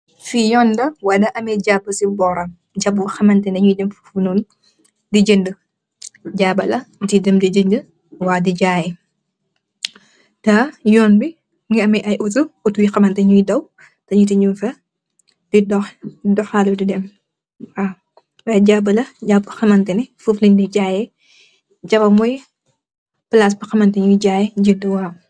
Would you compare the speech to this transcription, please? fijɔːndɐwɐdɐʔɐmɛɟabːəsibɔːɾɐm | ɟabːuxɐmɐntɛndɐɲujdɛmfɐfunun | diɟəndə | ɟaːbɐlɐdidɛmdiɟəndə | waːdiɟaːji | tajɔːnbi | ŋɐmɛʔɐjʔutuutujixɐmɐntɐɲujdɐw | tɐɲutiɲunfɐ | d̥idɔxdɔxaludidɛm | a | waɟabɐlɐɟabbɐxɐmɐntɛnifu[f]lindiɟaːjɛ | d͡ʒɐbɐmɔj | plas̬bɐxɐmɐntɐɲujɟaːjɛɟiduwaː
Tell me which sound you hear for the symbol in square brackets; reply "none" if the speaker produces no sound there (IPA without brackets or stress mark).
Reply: f